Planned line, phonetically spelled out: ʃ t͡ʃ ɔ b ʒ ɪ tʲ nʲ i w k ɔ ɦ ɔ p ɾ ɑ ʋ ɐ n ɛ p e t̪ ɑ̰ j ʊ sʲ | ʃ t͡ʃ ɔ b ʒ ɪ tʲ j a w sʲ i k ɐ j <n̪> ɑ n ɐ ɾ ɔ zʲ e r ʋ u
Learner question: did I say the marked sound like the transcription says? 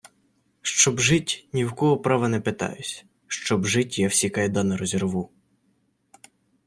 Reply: no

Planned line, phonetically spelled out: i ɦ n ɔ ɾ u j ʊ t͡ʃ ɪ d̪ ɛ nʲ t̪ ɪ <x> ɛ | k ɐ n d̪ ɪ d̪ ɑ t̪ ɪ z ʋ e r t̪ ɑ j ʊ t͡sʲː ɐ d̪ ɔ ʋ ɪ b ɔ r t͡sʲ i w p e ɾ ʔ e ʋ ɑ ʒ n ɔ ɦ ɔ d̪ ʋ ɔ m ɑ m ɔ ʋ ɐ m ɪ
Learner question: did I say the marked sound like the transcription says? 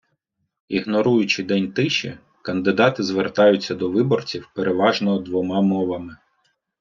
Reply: no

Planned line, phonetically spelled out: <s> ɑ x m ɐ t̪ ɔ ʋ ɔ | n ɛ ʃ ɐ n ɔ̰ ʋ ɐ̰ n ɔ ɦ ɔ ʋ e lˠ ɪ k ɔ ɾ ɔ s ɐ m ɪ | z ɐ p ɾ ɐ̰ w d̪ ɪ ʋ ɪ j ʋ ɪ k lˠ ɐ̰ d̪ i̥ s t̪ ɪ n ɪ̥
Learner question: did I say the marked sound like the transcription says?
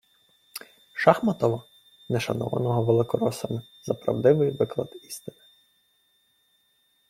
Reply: no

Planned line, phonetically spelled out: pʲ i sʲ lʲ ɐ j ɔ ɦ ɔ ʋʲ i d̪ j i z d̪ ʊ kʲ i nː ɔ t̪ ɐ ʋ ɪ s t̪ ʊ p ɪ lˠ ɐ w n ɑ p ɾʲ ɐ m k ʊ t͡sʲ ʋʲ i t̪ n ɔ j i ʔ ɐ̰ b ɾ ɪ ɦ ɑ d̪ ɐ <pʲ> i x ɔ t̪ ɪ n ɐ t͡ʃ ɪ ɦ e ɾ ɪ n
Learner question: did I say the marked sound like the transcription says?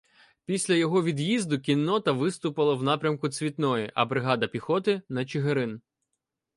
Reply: yes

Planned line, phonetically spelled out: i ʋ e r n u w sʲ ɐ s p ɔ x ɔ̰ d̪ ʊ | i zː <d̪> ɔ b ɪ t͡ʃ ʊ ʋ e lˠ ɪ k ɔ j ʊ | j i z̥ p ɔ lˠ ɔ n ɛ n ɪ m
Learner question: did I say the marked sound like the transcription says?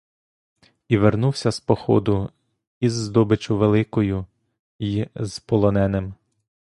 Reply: yes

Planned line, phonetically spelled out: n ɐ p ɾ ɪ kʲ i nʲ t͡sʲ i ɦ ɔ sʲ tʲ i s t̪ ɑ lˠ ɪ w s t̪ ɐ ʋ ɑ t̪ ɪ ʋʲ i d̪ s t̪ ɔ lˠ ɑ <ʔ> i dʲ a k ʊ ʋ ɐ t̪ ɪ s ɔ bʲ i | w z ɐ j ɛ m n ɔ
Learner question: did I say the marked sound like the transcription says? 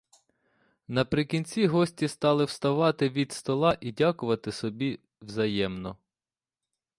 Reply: yes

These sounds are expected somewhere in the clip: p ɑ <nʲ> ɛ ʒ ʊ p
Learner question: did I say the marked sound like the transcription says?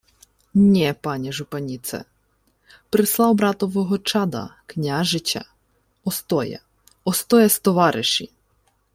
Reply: yes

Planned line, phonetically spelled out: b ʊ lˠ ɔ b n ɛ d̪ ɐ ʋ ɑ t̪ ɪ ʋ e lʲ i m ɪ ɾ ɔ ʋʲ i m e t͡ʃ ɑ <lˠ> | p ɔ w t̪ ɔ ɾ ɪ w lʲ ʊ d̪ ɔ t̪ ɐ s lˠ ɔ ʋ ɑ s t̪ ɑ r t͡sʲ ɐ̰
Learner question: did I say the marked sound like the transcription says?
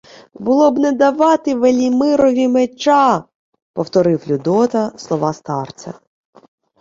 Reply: no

